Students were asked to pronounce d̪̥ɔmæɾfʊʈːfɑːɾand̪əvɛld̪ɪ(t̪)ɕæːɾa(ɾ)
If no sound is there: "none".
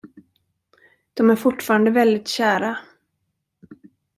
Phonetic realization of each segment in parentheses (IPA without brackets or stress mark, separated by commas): t̪, none